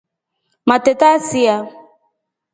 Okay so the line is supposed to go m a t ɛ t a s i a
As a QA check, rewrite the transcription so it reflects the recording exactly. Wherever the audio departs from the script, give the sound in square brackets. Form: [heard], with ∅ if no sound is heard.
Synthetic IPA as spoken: m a t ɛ t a s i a